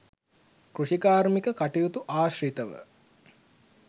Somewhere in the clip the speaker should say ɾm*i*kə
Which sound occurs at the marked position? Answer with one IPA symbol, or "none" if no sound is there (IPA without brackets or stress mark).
i